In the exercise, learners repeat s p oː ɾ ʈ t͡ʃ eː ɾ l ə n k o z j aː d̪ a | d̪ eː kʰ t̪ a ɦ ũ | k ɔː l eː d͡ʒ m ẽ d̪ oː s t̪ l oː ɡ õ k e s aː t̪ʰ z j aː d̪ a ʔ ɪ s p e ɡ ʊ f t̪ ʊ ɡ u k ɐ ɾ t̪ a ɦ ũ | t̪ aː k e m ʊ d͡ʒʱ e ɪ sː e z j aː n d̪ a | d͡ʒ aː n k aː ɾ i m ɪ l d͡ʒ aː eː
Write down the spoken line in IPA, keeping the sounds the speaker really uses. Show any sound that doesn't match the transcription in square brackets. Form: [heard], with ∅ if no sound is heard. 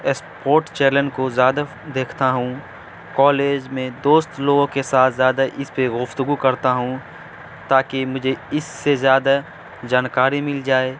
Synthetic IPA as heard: s p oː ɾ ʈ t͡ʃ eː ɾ l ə n k o z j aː d̪ a | d̪ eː kʰ t̪ a ɦ ũ | k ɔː l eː d͡ʒ m ẽ d̪ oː s t̪ l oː ɡ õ k e s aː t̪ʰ z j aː d̪ a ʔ ɪ s p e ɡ ʊ f t̪ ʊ ɡ u k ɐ ɾ t̪ a ɦ ũ | t̪ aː k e m ʊ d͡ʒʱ e ɪ sː e z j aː [∅] d̪ a | d͡ʒ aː n k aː ɾ i m ɪ l d͡ʒ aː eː